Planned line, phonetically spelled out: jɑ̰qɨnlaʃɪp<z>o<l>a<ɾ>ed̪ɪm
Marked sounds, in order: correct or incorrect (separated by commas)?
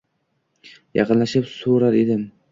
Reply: incorrect, incorrect, correct